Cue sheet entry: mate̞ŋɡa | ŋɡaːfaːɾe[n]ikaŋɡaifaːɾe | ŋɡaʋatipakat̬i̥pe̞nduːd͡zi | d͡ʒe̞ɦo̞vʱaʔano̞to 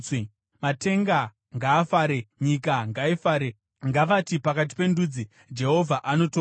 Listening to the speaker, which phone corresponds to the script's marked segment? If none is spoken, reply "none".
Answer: ɲ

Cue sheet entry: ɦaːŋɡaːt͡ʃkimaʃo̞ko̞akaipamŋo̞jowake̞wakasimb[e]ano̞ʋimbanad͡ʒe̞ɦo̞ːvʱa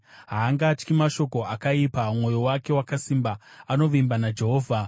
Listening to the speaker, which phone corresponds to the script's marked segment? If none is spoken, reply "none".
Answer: a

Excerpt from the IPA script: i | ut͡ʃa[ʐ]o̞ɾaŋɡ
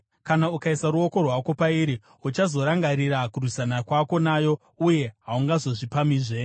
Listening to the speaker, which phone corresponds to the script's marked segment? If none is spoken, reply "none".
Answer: z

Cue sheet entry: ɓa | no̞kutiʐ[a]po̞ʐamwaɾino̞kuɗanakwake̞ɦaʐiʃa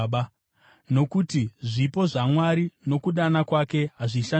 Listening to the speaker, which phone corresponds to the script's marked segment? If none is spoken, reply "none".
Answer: i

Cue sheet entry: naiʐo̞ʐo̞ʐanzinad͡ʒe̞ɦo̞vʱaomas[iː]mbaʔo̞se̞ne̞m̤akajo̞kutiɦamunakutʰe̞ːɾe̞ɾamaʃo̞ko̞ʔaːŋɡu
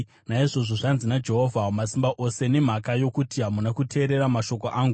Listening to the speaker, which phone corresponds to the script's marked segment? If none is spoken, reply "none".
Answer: i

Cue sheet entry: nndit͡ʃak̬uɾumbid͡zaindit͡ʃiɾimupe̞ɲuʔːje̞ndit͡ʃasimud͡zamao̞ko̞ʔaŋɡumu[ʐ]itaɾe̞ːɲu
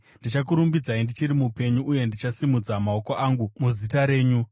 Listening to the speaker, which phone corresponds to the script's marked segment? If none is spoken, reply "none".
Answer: z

